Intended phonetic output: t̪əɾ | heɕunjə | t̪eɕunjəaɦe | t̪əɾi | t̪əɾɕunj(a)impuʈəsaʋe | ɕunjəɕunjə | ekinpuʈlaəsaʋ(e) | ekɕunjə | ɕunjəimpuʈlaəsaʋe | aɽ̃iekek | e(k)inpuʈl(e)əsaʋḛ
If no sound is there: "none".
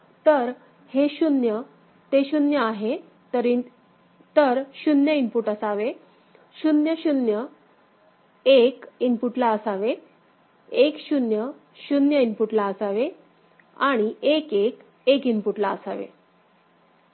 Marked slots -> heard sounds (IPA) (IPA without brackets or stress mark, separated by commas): ə, e, k, a